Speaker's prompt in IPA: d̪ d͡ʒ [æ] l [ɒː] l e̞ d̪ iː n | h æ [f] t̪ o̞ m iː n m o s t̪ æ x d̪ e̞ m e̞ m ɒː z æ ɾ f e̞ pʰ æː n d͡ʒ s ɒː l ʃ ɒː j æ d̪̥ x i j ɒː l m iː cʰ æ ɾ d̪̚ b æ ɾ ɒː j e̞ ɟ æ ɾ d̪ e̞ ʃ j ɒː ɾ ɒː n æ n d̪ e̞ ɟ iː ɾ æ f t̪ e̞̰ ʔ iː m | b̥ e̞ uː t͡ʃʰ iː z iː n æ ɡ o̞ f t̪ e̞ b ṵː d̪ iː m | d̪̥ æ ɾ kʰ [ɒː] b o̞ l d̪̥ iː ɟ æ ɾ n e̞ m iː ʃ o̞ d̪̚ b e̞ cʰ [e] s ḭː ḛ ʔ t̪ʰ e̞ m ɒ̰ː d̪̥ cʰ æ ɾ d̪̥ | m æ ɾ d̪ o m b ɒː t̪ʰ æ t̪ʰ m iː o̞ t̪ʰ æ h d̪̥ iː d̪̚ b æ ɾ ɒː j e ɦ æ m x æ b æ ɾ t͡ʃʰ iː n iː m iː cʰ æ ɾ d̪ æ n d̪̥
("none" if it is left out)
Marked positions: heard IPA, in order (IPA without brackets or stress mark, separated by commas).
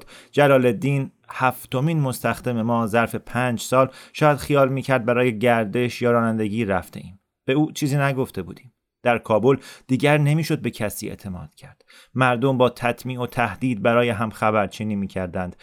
æ, ɒː, f, ɒː, æ